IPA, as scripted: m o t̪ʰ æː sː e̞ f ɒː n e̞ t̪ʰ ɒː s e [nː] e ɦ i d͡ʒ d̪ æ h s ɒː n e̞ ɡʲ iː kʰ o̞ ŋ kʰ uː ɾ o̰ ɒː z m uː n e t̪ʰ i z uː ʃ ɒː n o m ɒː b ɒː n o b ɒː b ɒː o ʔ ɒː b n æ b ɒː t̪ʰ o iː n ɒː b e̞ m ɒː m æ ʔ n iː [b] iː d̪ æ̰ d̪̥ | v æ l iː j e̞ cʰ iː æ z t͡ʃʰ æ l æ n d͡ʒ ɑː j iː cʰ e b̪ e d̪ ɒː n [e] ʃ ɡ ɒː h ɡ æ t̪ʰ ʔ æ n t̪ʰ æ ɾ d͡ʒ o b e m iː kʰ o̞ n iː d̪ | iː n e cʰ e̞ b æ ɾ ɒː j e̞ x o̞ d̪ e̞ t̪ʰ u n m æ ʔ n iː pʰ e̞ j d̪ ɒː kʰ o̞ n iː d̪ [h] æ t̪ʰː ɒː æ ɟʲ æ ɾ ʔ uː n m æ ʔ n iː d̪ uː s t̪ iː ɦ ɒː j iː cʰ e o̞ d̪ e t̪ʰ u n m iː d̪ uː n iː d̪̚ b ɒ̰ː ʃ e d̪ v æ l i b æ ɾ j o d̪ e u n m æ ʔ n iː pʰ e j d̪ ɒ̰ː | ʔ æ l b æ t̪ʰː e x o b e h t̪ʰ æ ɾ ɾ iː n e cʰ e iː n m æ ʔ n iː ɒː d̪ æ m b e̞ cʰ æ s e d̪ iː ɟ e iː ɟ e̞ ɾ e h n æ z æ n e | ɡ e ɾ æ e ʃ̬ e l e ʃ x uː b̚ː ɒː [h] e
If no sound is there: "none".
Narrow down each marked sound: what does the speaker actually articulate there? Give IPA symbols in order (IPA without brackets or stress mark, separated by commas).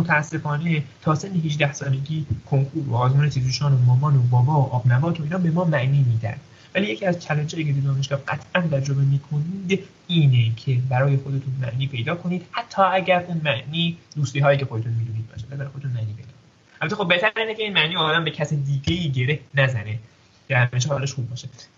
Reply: nː, m, e, h, ʃ